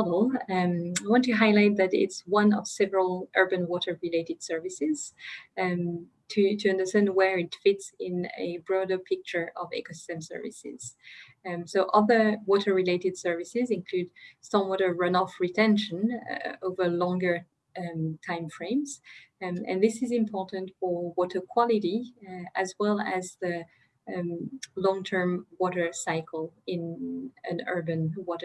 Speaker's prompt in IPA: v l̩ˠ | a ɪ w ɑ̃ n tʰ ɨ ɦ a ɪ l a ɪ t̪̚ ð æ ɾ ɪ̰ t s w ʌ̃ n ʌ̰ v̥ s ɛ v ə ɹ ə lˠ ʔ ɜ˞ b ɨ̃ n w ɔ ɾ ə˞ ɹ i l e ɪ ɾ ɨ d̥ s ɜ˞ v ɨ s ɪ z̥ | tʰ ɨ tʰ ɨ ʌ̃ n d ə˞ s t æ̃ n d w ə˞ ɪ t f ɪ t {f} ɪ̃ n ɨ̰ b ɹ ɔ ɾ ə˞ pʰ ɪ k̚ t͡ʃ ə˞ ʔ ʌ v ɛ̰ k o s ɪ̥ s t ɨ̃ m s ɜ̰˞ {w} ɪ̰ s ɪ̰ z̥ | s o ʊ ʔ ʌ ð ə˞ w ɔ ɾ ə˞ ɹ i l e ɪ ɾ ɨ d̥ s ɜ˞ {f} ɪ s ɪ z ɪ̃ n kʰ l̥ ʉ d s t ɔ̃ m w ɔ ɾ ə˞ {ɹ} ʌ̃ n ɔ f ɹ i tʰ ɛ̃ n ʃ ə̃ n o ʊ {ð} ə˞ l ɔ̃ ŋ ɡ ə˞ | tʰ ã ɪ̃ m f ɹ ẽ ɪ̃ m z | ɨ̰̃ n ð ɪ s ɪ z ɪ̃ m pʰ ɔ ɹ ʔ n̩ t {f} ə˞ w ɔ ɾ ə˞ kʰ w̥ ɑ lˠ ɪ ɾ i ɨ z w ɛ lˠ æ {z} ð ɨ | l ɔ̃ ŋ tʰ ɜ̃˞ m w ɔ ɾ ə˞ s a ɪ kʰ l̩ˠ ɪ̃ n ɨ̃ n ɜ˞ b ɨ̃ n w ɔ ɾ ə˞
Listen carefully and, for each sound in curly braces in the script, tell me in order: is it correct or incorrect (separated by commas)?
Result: incorrect, incorrect, incorrect, correct, incorrect, correct, correct